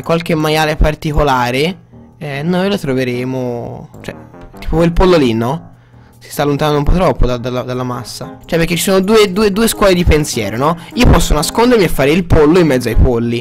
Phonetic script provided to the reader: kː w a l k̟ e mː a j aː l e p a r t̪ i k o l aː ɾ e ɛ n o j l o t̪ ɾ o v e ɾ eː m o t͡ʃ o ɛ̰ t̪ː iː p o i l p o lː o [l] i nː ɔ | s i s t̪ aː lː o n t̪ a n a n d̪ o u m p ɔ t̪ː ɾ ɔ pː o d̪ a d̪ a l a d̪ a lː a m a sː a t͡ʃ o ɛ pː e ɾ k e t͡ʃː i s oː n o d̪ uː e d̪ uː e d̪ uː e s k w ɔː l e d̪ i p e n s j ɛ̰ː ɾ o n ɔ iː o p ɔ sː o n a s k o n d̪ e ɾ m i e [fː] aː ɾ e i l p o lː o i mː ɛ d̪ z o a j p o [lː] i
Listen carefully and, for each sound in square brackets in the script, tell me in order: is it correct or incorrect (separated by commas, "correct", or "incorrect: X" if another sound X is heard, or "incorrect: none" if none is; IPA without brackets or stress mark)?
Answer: correct, correct, correct